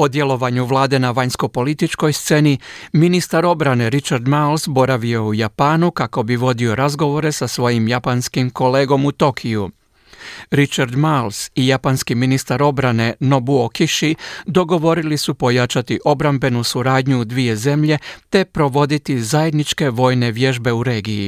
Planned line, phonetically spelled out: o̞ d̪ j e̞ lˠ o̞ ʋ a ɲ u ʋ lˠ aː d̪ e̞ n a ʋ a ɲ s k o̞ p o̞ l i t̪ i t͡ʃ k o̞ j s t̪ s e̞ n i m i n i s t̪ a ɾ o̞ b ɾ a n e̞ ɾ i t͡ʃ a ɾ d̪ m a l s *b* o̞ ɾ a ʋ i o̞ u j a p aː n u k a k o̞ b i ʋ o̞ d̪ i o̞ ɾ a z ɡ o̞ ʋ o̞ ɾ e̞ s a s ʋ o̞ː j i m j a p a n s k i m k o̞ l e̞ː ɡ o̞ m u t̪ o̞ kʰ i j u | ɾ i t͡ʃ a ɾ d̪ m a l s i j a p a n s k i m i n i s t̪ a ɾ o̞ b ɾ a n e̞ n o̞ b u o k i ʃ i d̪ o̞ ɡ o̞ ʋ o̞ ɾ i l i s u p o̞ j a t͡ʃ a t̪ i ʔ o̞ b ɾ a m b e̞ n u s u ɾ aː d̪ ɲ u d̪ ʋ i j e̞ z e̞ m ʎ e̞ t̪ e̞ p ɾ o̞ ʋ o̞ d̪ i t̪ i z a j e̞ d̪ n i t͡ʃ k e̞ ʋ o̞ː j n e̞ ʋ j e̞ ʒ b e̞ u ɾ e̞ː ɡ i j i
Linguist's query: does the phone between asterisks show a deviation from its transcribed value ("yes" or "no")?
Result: no